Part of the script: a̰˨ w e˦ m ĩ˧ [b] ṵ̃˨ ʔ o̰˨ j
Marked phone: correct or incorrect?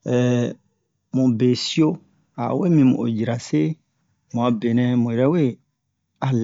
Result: incorrect